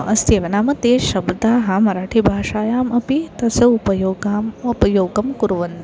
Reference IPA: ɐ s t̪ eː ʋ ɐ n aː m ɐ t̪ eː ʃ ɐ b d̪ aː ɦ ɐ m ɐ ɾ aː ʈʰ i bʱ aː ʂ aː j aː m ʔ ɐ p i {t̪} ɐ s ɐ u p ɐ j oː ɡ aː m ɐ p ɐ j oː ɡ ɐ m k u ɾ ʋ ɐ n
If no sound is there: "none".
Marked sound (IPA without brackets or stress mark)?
t̪